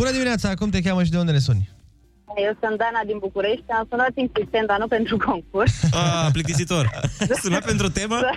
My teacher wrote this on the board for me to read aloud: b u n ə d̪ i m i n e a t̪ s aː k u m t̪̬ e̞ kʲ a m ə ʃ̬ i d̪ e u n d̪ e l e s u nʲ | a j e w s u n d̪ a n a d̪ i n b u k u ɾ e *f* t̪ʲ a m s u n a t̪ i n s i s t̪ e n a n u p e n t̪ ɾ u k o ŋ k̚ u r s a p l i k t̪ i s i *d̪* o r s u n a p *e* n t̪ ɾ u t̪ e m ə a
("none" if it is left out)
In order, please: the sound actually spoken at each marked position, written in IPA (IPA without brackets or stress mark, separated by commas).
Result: ʃ, t̪, e